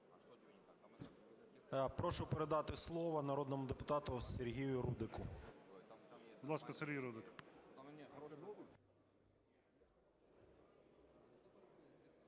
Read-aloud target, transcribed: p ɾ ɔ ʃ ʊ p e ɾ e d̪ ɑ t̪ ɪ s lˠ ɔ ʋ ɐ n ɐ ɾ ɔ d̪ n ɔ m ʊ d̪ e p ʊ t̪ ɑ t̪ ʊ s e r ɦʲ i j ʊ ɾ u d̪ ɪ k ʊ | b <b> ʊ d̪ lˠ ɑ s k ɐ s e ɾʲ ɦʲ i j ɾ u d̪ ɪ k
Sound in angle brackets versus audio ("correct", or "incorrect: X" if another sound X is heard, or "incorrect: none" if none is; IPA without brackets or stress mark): correct